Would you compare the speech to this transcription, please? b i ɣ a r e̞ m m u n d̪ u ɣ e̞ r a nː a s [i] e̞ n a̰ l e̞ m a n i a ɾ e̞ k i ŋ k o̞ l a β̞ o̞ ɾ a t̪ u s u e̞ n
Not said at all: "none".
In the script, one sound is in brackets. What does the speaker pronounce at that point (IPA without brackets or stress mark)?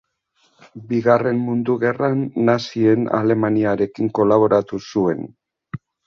i